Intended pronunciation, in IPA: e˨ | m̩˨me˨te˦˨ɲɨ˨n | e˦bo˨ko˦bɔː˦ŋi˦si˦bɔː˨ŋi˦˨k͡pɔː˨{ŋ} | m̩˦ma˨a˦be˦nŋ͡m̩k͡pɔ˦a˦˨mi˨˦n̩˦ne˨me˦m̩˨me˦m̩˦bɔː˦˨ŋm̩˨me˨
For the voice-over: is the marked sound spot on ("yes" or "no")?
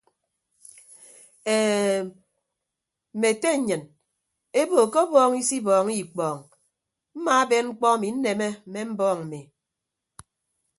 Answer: yes